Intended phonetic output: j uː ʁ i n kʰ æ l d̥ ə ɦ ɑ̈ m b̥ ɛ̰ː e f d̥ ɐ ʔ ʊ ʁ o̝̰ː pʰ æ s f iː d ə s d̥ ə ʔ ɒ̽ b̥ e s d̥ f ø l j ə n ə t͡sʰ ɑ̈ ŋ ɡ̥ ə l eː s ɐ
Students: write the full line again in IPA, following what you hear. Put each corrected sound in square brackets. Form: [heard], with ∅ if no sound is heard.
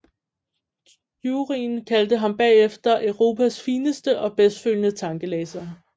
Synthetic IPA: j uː ʁ i n kʰ æ l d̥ ə ɦ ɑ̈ m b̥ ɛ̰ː e f d̥ ɐ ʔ ʊ ʁ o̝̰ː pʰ æ s f iː [n] ə s d̥ ə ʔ ɒ̽ b̥ e s d̥ f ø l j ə n ə t͡sʰ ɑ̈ ŋ ɡ̥ ə l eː s ɐ